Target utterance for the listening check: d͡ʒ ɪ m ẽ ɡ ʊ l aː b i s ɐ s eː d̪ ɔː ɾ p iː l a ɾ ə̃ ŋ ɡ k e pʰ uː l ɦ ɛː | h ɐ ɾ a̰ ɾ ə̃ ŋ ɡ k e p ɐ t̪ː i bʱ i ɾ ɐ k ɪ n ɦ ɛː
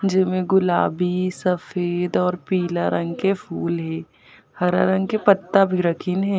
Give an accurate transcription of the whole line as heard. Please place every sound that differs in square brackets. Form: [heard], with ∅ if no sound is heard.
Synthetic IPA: d͡ʒ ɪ m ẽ ɡ ʊ l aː b i s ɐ [f] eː d̪ ɔː ɾ p iː l a ɾ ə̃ ŋ ɡ k e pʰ uː l ɦ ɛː | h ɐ ɾ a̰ ɾ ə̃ ŋ ɡ k e p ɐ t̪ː [a] bʱ i ɾ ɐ [kʰ] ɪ n ɦ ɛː